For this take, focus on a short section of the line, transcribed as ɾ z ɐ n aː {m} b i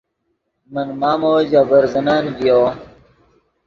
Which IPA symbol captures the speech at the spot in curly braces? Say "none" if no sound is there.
n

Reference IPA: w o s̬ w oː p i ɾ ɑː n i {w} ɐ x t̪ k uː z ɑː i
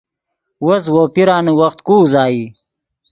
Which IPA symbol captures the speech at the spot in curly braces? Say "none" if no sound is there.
w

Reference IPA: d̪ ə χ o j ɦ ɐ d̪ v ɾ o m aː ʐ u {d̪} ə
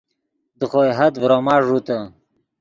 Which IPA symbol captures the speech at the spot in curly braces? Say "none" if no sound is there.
t̪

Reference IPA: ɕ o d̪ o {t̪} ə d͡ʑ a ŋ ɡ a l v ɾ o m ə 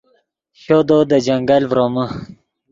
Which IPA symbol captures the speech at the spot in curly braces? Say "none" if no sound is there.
d̪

